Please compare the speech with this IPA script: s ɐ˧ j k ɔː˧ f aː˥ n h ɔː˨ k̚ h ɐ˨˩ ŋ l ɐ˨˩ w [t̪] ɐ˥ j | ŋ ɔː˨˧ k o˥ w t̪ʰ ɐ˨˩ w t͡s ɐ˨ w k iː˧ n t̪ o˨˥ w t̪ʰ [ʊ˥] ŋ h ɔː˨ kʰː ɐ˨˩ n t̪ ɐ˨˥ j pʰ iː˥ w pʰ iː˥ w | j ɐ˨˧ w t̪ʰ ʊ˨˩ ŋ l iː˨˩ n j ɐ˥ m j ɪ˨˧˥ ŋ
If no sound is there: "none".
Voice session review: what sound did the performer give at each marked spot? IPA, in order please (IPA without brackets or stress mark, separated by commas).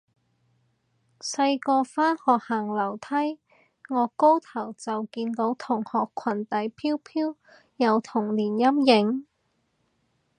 t̪ʰ, ʊ˨˩